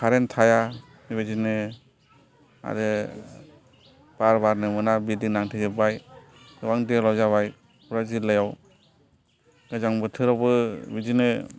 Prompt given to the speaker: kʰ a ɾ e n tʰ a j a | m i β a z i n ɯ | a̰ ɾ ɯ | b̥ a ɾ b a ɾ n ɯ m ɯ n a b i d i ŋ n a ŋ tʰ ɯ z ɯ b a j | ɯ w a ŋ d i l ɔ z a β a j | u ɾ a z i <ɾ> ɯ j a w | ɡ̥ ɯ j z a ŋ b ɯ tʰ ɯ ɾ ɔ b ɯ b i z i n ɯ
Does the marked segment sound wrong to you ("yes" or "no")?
yes